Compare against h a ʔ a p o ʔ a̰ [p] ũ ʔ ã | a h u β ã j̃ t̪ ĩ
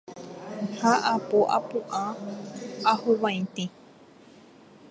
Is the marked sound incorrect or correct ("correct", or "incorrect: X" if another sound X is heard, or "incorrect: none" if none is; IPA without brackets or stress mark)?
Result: correct